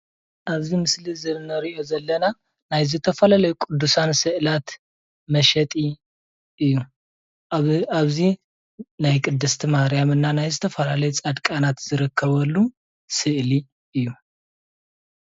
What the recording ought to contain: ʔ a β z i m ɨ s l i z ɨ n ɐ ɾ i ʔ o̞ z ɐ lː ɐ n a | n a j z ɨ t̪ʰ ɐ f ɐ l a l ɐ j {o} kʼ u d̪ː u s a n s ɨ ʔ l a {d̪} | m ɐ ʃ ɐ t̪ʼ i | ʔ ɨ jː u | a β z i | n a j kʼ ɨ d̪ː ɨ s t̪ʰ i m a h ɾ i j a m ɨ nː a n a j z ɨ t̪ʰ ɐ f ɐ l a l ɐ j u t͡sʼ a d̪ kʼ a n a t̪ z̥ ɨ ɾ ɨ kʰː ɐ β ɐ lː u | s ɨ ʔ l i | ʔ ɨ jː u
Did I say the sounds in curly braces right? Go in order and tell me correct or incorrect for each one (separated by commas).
incorrect, incorrect